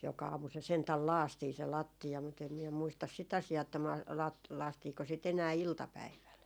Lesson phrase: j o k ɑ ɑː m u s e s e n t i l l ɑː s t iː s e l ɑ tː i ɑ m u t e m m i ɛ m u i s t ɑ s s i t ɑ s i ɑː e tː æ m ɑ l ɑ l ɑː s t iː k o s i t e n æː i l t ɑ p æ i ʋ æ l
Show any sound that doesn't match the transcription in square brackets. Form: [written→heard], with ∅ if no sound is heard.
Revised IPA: j o k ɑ ɑː m u s e s e n t [i→æ] l l ɑː s t iː s e l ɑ tː i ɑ m u t e m m i ɛ m u i s t ɑ s s i t ɑ s i ɑː e tː æ m ɑ l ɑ l ɑː s t iː k o s i t e n æː i l t ɑ p æ i ʋ æ l